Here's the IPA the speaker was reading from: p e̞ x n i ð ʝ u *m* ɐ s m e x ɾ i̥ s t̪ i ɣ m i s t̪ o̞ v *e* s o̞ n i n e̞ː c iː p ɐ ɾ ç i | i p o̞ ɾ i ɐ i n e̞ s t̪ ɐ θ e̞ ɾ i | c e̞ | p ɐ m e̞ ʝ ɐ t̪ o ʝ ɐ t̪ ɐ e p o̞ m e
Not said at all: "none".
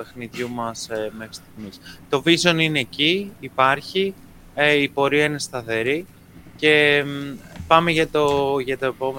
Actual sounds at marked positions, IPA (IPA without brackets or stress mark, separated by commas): m, i